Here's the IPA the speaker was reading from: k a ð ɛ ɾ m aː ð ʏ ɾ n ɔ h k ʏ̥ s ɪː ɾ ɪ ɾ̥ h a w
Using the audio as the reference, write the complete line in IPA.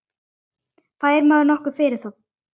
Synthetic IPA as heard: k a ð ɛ ɾ m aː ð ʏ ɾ n ɔ h k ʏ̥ f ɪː ɾ ɪ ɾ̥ θ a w